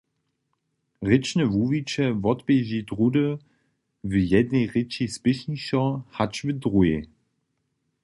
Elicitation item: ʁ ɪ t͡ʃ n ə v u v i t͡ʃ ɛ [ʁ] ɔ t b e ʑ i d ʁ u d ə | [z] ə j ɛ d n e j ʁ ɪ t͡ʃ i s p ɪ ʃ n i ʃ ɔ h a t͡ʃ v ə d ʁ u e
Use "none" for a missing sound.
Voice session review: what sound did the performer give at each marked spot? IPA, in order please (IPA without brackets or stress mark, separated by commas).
v, v